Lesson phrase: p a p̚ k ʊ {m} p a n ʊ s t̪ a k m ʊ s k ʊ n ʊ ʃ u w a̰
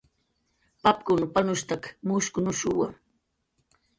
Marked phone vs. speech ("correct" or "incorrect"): incorrect